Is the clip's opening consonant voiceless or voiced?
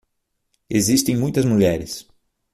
voiced